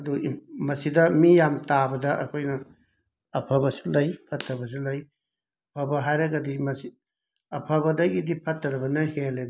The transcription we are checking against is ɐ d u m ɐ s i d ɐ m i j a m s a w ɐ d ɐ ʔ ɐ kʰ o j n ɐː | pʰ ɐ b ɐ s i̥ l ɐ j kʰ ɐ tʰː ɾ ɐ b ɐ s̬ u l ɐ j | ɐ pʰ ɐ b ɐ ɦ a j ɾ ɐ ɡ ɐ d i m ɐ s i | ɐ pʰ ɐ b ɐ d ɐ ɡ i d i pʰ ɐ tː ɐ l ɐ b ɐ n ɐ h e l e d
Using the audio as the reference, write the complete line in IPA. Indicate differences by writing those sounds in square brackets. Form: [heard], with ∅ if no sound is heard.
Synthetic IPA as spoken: ɐ d u m ɐ s i d ɐ m i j a m [t] a [b] ɐ d ɐ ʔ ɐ kʰ o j n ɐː | pʰ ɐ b ɐ s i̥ l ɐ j [pʰ] ɐ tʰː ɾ ɐ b ɐ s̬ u l ɐ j | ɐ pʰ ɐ b ɐ ɦ a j ɾ ɐ ɡ ɐ d i m ɐ s i | ɐ pʰ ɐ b ɐ d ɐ ɡ i d i pʰ ɐ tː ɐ [ɾ] ɐ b ɐ n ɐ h e l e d